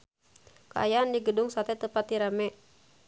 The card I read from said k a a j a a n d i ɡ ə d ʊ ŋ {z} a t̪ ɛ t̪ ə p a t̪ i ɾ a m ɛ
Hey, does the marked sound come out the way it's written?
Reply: no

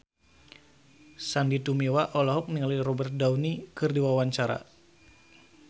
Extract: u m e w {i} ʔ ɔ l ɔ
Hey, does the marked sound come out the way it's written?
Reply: no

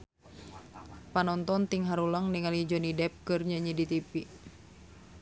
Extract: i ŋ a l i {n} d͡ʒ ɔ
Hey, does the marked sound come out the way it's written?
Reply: no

